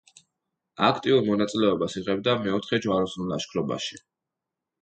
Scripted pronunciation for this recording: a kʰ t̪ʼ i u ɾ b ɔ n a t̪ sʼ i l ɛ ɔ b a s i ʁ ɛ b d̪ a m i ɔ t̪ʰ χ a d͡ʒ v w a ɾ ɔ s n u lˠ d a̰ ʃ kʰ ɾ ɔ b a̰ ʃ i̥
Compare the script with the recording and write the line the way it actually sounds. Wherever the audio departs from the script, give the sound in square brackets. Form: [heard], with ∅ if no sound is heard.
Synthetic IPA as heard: a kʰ t̪ʼ i u ɾ [m] ɔ n a t̪ sʼ i l ɛ ɔ b a s i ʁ ɛ b d̪ a m [ɛ] ɔ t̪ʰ χ [ɛ] d͡ʒ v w a ɾ ɔ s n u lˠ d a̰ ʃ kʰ ɾ ɔ b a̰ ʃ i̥